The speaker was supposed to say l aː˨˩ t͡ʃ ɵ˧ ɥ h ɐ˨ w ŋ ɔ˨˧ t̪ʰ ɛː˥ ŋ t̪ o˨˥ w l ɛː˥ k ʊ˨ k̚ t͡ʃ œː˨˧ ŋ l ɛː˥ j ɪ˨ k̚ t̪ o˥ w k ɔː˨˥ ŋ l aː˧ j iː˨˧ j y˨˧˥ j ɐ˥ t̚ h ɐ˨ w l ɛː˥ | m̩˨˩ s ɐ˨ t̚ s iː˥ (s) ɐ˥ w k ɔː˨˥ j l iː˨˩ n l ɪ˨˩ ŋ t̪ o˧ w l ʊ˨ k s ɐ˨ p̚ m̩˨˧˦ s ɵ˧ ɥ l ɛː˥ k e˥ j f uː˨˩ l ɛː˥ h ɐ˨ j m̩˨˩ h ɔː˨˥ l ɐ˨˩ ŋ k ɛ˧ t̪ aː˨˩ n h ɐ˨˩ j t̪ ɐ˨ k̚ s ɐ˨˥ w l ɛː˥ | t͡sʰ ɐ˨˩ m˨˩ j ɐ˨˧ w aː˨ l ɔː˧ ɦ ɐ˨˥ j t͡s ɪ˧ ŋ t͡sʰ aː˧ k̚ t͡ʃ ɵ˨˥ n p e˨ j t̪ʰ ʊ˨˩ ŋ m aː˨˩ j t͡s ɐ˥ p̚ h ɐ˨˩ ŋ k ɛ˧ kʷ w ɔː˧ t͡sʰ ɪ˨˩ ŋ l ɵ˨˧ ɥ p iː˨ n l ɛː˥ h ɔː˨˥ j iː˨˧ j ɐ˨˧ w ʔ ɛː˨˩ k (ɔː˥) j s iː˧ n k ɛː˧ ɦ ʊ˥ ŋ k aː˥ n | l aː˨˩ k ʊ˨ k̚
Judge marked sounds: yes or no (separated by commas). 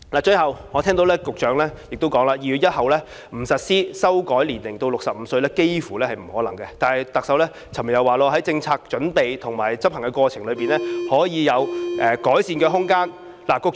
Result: yes, no